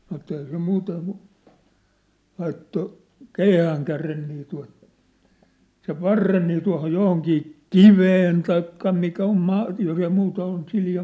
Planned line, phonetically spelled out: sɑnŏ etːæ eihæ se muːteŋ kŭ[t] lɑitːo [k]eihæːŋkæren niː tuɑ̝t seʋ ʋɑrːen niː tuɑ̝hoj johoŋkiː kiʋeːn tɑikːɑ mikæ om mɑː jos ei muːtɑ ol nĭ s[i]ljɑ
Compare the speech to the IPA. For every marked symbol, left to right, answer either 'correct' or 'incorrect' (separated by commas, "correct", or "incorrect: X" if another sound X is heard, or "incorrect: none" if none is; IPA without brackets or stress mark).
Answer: incorrect: none, correct, correct